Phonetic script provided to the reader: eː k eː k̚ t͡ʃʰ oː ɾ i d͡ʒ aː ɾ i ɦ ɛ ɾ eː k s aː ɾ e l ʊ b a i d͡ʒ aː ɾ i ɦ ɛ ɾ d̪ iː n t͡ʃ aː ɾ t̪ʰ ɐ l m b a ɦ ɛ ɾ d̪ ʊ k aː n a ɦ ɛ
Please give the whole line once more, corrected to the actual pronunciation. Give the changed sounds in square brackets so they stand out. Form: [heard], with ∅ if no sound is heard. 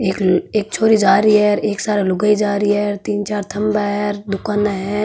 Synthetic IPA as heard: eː k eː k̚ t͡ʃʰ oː ɾ i d͡ʒ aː ɾ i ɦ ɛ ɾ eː k s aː ɾ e l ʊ [ɡ] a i d͡ʒ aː ɾ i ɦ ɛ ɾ [t̪] iː n t͡ʃ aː ɾ t̪ʰ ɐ [∅] m b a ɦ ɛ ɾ d̪ ʊ k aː n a ɦ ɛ